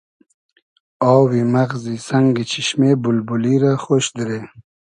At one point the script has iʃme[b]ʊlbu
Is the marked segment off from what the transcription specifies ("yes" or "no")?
no